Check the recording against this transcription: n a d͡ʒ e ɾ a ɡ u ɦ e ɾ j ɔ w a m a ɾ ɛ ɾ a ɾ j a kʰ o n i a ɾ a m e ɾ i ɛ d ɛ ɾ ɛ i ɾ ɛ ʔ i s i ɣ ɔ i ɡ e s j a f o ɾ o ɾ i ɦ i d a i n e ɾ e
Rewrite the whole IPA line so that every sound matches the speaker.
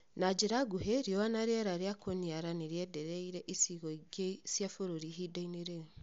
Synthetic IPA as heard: n a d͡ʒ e ɾ a ɡ u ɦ e ɾ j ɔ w a n a ɾ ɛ ɾ a ɾ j a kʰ o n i a ɾ a n e ɾ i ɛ d ɛ ɾ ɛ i ɾ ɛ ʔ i s i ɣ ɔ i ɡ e s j a f o ɾ o ɾ i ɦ i d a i n e ɾ e